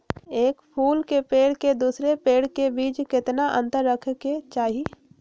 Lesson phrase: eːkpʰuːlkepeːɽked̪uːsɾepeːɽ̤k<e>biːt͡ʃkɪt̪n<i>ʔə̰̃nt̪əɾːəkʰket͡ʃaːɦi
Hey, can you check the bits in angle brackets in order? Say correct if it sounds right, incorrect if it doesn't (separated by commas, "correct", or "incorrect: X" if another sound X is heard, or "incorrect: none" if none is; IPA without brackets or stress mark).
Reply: correct, incorrect: a